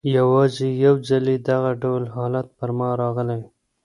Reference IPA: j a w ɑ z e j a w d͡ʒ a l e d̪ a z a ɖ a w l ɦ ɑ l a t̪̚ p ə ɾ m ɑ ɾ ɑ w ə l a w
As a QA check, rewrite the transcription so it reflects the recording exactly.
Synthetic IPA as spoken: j a w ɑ z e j a w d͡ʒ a l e d̪ a ɣ a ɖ a w l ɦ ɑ l a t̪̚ p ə ɾ m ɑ ɾ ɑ ɣ ə l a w